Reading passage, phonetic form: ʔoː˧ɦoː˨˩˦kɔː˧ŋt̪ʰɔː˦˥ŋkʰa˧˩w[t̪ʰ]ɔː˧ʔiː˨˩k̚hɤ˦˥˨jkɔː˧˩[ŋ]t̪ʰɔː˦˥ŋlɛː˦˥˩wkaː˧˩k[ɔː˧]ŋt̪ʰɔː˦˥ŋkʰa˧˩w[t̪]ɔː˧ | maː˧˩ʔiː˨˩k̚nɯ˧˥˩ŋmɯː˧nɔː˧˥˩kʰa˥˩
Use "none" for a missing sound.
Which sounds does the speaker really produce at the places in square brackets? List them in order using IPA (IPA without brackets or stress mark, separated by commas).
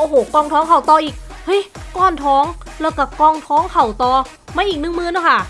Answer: t̪, n, ɔː˧, t̪